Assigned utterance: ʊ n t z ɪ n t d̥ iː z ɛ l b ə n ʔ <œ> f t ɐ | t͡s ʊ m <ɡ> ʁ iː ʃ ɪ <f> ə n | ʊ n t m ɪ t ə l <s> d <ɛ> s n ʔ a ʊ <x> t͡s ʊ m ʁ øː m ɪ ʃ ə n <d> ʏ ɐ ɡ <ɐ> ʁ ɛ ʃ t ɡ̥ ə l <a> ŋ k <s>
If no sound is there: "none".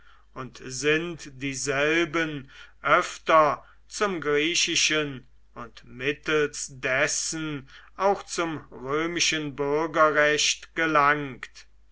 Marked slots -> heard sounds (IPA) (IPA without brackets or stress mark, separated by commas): œ, ɡ, ʃ, s, ɛ, x, b, ɐ, a, t